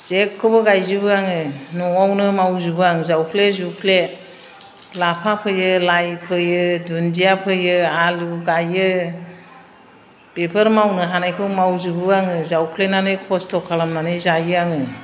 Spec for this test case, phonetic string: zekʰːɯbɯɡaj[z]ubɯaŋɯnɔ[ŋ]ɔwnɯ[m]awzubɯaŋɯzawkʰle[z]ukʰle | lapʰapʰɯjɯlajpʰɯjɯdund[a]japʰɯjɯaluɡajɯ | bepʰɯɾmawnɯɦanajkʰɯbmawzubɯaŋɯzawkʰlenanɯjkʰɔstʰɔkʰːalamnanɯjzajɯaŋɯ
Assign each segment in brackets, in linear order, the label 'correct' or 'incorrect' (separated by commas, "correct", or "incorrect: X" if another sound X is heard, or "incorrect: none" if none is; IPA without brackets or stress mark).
correct, correct, correct, correct, incorrect: i